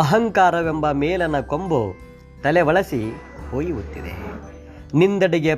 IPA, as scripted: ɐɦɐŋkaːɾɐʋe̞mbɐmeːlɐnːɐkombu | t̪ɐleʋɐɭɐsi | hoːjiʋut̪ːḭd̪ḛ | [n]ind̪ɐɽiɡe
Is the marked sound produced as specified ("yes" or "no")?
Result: yes